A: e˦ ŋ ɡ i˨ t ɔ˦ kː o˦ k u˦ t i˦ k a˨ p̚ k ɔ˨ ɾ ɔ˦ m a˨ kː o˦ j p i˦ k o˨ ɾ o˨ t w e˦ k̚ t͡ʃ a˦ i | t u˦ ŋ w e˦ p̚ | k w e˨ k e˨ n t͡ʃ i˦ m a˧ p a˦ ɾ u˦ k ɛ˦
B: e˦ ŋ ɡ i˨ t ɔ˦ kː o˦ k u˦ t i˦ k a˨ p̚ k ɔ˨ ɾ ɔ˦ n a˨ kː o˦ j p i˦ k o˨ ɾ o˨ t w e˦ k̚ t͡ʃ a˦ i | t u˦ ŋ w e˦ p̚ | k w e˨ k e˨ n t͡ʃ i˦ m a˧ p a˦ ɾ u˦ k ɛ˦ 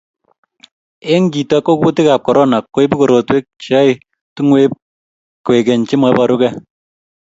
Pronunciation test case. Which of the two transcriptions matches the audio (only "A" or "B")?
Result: B